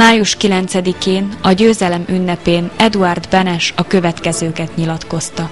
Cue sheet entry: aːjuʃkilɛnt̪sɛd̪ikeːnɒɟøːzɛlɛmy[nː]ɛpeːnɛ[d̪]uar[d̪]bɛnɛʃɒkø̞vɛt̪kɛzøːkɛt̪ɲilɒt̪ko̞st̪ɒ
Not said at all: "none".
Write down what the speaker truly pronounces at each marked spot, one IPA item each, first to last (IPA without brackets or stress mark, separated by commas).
nː, d̪, d̪